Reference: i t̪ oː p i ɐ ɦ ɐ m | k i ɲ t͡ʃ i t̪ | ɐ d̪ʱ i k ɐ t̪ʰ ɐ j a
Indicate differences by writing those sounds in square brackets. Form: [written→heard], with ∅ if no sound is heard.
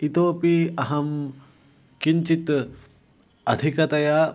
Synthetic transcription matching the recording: i t̪ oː p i ɐ ɦ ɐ m | k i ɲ t͡ʃ i t̪ | ɐ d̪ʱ i k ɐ [t̪ʰ→t̪] ɐ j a